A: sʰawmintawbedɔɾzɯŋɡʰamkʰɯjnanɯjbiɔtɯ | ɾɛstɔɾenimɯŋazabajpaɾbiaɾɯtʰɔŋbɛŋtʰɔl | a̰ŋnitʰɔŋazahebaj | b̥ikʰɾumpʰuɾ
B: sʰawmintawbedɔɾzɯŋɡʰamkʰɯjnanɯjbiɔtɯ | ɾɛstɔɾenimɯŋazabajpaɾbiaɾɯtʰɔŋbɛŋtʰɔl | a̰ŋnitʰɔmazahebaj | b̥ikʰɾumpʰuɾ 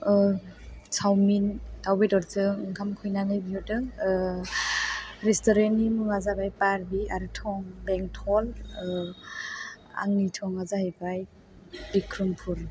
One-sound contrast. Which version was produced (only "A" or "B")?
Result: A